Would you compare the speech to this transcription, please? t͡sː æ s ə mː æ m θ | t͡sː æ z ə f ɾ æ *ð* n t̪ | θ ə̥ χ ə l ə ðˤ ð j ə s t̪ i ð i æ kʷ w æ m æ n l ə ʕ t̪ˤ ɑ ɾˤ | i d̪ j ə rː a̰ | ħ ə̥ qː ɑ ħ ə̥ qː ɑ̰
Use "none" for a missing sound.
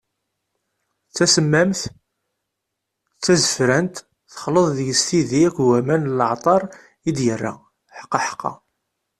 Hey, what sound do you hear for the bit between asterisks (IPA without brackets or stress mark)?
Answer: none